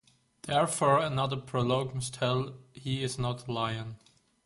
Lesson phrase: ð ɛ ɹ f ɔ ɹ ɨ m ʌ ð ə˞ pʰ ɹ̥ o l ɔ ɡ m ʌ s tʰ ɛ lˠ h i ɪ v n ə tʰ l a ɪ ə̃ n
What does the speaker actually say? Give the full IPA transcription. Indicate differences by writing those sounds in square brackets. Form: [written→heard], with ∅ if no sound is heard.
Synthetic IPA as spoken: ð ɛ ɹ f ɔ ɹ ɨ [m→n] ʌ ð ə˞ pʰ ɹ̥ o l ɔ ɡ m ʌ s tʰ ɛ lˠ h i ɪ [v→z] n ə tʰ l a ɪ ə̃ n